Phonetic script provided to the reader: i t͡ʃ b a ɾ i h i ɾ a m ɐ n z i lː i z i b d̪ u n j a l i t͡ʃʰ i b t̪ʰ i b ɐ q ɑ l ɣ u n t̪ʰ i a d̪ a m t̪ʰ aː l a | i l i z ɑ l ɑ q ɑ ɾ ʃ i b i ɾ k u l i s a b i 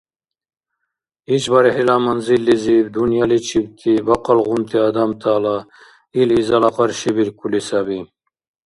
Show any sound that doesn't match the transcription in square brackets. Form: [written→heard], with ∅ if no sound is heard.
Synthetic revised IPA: i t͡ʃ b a ɾ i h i [ɾ→l] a m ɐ n z i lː i z i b d̪ u n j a l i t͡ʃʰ i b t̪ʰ i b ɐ q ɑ l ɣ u n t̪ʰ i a d̪ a m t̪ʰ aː l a | i l i z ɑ l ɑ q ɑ ɾ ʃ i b i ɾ k u l i s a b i